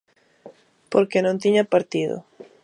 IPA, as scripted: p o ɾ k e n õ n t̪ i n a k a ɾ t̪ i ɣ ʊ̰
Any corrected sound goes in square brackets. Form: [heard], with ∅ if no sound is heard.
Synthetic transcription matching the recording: p o ɾ k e n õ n t̪ i [ɲ] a [p] a ɾ t̪ i [ð] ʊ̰